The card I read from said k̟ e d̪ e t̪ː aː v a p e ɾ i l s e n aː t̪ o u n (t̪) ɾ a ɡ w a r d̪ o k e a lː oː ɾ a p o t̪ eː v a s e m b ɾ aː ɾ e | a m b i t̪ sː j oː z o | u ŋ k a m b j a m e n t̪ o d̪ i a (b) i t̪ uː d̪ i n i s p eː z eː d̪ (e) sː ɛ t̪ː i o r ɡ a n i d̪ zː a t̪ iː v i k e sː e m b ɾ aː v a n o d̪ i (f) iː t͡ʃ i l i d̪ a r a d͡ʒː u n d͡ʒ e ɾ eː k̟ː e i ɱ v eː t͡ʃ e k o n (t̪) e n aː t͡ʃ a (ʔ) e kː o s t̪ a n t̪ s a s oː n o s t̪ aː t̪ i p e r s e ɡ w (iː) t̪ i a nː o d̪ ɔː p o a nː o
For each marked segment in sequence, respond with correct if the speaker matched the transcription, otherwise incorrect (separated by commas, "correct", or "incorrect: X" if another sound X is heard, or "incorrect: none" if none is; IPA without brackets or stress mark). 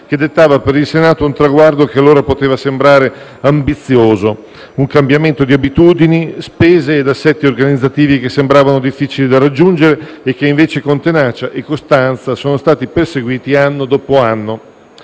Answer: correct, correct, incorrect: a, incorrect: fː, correct, correct, correct